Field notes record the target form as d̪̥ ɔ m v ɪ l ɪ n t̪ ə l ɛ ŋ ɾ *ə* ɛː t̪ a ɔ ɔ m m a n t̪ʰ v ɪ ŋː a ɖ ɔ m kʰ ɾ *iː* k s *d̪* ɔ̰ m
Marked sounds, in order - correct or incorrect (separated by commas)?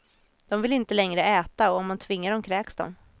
correct, incorrect, correct